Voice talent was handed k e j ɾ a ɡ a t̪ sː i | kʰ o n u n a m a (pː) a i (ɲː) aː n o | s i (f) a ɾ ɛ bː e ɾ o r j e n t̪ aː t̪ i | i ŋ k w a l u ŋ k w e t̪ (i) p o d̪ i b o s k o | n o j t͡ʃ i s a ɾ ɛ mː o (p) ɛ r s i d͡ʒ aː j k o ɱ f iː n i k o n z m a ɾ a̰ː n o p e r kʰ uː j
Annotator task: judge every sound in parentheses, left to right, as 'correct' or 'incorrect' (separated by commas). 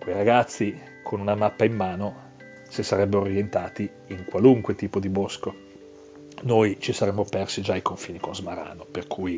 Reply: correct, incorrect, incorrect, incorrect, correct